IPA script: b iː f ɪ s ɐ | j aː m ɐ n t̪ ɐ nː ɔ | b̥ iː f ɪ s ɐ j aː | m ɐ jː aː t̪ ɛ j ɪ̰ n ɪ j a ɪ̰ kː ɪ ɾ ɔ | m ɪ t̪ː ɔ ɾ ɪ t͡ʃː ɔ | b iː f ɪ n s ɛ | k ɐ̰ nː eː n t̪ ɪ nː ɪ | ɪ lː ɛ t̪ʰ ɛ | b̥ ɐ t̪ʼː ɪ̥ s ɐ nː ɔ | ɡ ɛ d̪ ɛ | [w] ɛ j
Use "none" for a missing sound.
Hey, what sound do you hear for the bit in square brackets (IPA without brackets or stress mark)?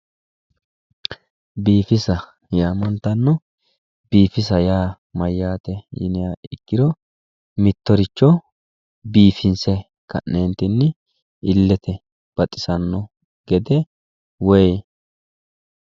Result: w